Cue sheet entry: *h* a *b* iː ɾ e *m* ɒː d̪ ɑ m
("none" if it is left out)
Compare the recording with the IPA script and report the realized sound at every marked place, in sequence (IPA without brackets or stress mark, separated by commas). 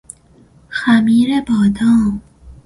x, m, b